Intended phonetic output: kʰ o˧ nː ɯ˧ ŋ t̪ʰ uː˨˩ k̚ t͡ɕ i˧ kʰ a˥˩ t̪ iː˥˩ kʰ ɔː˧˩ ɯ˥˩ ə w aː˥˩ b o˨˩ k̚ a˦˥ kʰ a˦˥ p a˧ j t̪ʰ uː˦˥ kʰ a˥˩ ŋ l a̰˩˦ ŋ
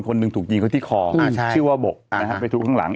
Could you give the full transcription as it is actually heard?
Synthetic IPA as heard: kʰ o˧ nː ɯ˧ ŋ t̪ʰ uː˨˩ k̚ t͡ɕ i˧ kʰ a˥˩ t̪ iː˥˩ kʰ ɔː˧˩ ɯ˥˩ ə w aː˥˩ b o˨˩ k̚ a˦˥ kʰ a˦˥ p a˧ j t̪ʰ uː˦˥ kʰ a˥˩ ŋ l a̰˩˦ ŋ